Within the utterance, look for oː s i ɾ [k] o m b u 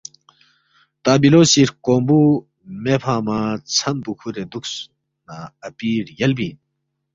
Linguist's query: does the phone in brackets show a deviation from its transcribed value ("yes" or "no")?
no